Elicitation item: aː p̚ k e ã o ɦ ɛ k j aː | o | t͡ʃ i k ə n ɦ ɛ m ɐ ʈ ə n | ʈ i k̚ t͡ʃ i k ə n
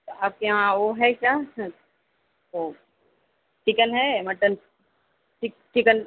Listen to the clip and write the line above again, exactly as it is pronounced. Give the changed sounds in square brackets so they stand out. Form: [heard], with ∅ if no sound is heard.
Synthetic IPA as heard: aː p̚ k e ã o ɦ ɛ k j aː | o | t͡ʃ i k ə n ɦ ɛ m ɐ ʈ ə n | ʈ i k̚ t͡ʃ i k ə n